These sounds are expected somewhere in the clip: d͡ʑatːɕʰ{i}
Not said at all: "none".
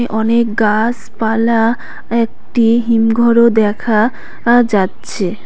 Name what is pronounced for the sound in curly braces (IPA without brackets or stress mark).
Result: e